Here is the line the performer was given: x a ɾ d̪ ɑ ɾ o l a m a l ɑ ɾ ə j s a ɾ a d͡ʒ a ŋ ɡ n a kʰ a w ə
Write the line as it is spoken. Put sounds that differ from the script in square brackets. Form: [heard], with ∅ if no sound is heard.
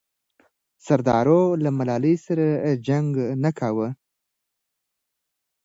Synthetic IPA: [s] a ɾ d̪ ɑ ɾ o l a m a l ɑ [l] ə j s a ɾ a d͡ʒ a ŋ ɡ n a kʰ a w ə